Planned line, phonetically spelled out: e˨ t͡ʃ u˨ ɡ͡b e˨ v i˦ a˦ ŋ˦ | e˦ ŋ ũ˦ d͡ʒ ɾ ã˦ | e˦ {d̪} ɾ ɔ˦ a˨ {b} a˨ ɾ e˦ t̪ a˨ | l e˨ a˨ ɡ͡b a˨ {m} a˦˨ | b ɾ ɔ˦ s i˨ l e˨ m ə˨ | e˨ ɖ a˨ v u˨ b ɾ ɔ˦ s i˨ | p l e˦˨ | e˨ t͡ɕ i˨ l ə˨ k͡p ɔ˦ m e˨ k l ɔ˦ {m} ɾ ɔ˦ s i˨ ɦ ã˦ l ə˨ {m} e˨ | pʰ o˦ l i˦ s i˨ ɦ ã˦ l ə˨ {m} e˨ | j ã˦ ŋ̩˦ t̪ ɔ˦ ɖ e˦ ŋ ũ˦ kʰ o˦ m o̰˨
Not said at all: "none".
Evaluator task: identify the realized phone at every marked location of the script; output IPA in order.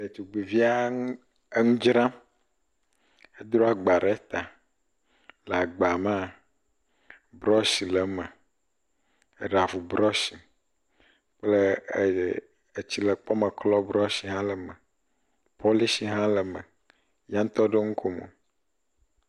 d̪, ɡ͡b, m, b, m, m

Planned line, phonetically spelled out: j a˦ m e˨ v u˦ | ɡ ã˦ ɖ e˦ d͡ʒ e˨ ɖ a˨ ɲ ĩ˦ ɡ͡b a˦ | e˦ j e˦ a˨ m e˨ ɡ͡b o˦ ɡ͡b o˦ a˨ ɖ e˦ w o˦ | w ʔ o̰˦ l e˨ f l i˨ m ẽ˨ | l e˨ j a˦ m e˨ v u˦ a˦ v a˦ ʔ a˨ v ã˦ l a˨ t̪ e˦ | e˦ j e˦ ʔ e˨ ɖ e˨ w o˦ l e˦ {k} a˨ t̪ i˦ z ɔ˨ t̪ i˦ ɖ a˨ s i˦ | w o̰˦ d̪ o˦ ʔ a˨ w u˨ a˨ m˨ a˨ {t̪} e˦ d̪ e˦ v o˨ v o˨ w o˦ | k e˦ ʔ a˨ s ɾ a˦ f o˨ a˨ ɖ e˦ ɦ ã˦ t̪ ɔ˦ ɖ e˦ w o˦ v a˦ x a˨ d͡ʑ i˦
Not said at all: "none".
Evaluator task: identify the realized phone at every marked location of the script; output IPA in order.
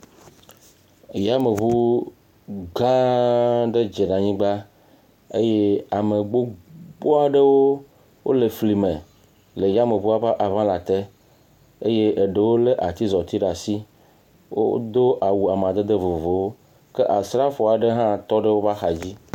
ʔ, d̪

